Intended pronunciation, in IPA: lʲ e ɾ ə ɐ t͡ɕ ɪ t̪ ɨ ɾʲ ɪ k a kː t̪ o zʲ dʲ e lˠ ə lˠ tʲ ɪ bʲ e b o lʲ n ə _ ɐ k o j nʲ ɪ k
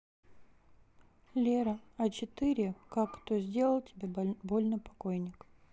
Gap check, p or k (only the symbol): p